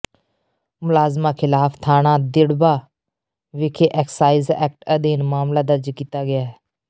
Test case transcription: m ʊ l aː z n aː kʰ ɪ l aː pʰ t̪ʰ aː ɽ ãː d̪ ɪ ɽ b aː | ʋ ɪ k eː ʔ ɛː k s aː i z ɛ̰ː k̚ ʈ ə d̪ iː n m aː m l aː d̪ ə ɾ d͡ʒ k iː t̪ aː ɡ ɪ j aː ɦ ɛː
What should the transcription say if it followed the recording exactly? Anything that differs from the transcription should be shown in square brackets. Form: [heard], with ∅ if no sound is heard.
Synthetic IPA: m ʊ l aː z [m] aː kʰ ɪ l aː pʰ t̪ʰ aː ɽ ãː d̪ ɪ ɽ b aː | ʋ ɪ [kʰ] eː ʔ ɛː k s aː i z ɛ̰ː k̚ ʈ ə d̪ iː n m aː m l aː d̪ ə ɾ d͡ʒ k iː t̪ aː ɡ ɪ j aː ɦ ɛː